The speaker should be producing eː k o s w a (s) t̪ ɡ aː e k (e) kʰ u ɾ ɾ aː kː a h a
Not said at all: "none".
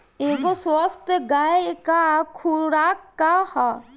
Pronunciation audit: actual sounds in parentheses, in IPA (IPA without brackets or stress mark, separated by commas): s, a